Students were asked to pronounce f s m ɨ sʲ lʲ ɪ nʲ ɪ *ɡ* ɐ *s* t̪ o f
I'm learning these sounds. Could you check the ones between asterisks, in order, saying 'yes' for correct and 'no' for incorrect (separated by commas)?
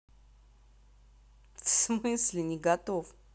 yes, no